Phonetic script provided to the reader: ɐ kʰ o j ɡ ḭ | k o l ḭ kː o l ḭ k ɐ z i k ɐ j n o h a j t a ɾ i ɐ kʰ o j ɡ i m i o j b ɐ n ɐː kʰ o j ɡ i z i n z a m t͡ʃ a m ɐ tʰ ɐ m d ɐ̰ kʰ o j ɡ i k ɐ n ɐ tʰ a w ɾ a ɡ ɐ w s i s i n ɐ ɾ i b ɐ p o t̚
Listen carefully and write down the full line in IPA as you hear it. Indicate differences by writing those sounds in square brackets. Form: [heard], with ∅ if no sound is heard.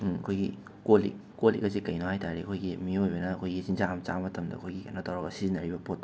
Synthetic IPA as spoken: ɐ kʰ o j ɡ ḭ | k o l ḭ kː o l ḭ k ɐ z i k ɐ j n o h a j t a ɾ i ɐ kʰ o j ɡ i m i o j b ɐ n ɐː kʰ o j ɡ i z i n z a m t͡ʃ a m ɐ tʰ ɐ m d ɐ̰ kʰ o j ɡ i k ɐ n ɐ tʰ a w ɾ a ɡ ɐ [∅] s i [z] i n ɐ ɾ i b ɐ p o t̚